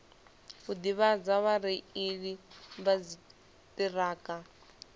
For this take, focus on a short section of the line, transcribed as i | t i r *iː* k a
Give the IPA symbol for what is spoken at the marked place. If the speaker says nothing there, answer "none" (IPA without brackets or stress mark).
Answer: aː